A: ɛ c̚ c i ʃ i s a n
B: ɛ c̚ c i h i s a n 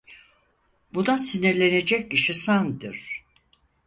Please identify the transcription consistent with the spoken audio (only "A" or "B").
A